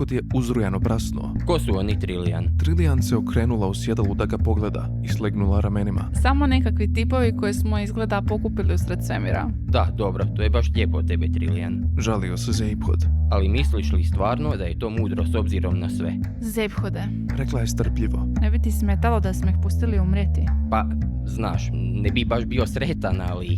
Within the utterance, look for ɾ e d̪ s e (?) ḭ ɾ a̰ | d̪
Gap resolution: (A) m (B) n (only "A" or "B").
A